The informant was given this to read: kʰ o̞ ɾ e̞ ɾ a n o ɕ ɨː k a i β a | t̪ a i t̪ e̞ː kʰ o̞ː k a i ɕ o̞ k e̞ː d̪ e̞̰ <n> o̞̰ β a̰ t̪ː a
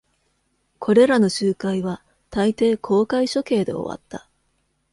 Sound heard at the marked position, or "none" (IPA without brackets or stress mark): none